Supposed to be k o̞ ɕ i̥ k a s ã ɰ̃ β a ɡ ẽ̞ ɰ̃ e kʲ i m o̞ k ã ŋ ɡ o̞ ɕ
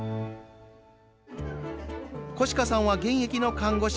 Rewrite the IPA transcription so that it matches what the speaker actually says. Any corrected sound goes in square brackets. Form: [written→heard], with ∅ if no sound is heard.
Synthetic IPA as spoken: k o̞ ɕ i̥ k a s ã ɰ̃ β a ɡ ẽ̞ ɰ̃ e kʲ i [m→n] o̞ k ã ŋ ɡ o̞ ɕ